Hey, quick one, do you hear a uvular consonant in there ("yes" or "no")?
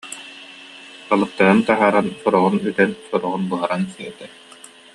yes